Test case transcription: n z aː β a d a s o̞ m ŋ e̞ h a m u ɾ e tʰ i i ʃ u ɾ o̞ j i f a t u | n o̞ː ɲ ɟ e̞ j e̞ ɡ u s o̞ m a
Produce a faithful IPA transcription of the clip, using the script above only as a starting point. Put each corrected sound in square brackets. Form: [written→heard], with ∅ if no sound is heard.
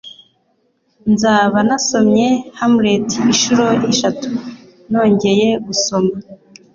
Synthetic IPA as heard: n z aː β a [d→n] a s o̞ m [ŋ→ɲ] e̞ h a m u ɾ e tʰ i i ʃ u ɾ o̞ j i [f→ʃ] a t u | n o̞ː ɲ ɟ e̞ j e̞ ɡ u s o̞ m a

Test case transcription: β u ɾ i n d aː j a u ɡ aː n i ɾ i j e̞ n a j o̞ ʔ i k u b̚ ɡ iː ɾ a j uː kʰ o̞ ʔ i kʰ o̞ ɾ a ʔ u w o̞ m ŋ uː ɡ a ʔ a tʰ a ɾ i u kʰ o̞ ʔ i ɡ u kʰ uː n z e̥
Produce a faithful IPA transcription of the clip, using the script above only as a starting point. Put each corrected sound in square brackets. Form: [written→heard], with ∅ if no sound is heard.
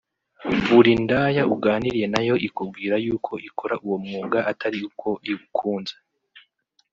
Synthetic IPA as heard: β u ɾ i n d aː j a u ɡ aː n i ɾ i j e̞ n a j o̞ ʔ i k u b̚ ɡ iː ɾ a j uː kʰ o̞ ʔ i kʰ o̞ ɾ a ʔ u w o̞ m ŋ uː ɡ a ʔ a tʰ a ɾ i u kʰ o̞ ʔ i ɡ u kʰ uː n z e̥

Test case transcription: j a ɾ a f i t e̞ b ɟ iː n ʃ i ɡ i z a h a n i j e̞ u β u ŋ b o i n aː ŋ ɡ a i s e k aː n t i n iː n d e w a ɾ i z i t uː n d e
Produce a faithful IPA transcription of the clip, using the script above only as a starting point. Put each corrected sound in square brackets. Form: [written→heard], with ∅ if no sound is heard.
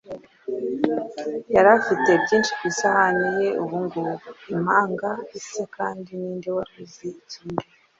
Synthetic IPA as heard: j a ɾ a f i t e̞ b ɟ iː n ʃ i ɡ i [z→s] a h a n i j e̞ u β u ŋ [b→ɡ] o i [n→m] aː ŋ ɡ a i s e k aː n [t→d] i n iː n d e w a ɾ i z i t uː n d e

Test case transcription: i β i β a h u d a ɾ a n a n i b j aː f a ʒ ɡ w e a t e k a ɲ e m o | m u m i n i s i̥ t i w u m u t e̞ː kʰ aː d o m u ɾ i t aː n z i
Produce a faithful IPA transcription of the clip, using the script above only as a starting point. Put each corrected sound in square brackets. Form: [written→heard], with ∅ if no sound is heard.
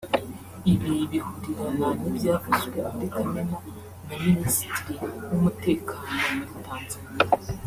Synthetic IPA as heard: i β i β [a→i] h u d [a→i] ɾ a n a n i b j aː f a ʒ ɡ w e a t e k a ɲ e m o | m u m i n i s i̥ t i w u m u t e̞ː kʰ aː [d→n] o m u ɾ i t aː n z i

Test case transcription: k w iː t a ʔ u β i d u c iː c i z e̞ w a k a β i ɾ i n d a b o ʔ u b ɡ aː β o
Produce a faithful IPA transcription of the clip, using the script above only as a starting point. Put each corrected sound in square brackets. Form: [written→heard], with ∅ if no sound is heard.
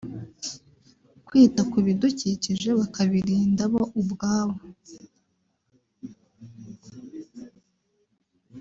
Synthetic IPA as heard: k w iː t a [ʔ→k] u β i d u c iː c i [z→ʒ] e̞ [w→β] a k a β i ɾ [i→iː] n d a [b→β] o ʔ u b ɡ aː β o

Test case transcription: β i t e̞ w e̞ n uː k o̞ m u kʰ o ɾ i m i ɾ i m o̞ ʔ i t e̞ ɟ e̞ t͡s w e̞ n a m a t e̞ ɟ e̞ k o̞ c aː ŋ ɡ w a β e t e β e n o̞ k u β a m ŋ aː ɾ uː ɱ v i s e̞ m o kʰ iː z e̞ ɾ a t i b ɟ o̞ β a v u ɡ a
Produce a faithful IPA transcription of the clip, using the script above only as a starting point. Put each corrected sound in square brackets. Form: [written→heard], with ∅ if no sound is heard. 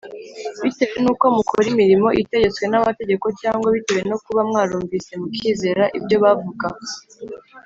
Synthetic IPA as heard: β i t e̞ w e̞ n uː k o̞ m u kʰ o ɾ i m i ɾ i m o̞ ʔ i t e̞ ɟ e̞ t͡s w e̞ n a m a t e̞ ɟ e̞ k o̞ c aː ŋ ɡ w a β [e→i] t e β e n o̞ k u β a m ŋ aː ɾ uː ɱ v i s e̞ m [o→u] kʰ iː z e̞ ɾ a [t→ʔ] i b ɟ o̞ β a v u ɡ a

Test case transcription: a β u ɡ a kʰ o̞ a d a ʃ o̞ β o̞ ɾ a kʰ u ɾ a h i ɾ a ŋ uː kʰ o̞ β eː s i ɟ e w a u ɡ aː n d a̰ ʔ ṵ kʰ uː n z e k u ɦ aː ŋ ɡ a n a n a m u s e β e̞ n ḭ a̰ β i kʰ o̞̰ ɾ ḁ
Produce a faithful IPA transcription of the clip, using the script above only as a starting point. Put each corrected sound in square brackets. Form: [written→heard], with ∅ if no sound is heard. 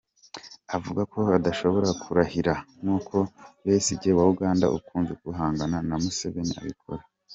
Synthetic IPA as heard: a [β→v] u ɡ a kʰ o̞ a d a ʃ o̞ β o̞ ɾ a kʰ u ɾ a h i ɾ a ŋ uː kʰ o̞ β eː s i ɟ e w a u ɡ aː n d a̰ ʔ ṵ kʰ uː n z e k u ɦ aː ŋ ɡ a n a n a m u s e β e̞ n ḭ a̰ β i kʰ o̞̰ ɾ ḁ

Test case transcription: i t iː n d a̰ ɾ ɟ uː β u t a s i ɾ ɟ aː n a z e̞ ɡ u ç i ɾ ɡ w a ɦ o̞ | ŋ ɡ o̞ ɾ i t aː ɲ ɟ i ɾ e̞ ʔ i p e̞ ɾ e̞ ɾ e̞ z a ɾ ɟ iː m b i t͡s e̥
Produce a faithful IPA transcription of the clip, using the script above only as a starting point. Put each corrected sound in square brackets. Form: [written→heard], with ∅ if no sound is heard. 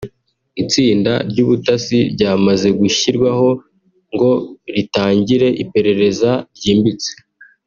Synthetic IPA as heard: i [t→t͡s] iː n d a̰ ɾ ɟ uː β u t a s i ɾ ɟ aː [n→m] a z e̞ ɡ u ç i ɾ ɡ w a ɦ o̞ | ŋ ɡ o̞ ɾ i t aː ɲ ɟ i ɾ e̞ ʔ i p e̞ ɾ e̞ ɾ e̞ z a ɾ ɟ iː m b i t͡s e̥

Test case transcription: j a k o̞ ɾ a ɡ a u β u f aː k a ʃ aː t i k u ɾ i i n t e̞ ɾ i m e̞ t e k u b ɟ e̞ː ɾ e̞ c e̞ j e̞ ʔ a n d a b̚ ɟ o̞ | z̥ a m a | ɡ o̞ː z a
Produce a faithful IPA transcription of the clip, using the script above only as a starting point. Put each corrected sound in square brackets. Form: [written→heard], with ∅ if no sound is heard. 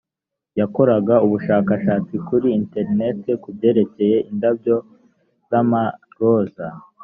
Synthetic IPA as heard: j a k o̞ ɾ a ɡ a u β u [f→ʃ] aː k a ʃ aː [t→t͡s] i k u ɾ i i n t e̞ ɾ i [m→n] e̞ t e k u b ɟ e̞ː ɾ e̞ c e̞ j e̞ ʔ [a→i] n d a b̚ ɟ o̞ | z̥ a m a | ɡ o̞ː z a

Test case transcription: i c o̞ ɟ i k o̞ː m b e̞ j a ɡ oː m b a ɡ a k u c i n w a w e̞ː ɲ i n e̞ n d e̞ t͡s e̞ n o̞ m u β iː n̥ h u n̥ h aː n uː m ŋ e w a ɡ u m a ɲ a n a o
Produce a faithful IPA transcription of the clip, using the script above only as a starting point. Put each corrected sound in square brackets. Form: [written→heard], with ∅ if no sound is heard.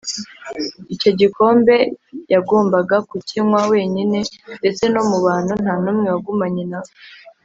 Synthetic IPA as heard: i c o̞ ɟ i k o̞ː m b e̞ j a ɡ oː m b a ɡ a k u c i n w a w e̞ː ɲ i n e̞ n d e̞ t͡s e̞ n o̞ m u β [iː→aː] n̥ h u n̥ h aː n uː m ŋ e w a ɡ u m a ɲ [a→i] n a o

